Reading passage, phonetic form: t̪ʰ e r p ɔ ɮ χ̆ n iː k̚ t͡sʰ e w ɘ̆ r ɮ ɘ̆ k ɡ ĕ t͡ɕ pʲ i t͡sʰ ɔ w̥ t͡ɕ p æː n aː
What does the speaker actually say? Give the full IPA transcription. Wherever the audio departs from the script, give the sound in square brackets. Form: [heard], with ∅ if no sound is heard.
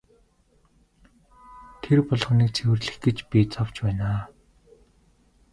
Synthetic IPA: t̪ʰ e r p ɔ ɮ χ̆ n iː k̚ t͡sʰ e w ɘ̆ r ɮ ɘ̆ [x] ɡ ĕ t͡ɕ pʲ i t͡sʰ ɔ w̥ t͡ɕ p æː n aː